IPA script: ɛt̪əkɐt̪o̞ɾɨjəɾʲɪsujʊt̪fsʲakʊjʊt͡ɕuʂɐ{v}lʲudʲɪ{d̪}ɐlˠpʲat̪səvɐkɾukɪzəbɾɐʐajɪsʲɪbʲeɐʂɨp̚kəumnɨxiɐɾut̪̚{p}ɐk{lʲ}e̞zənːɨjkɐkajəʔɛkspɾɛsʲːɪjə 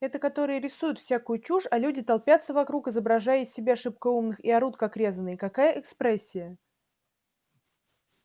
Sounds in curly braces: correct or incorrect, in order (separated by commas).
incorrect, incorrect, incorrect, incorrect